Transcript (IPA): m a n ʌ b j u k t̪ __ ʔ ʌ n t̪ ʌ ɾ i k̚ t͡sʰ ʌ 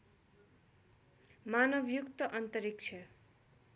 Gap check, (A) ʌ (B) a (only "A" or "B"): A